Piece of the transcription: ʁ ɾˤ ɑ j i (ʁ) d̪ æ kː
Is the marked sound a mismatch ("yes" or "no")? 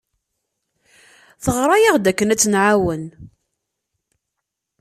no